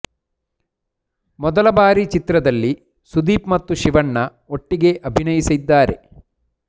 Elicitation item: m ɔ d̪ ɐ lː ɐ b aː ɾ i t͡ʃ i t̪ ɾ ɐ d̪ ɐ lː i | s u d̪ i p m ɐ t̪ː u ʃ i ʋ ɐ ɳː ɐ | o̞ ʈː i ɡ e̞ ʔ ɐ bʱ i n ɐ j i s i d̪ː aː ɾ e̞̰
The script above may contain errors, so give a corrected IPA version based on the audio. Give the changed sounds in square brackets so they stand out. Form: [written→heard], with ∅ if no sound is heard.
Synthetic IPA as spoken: m ɔ d̪ ɐ [lː→l] ɐ b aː ɾ i t͡ʃ i t̪ ɾ ɐ d̪ ɐ lː i | s u d̪ [i→iː] p m ɐ t̪ː u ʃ i ʋ ɐ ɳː ɐ | o̞ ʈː i ɡ e̞ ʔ ɐ bʱ i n ɐ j i s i d̪ː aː ɾ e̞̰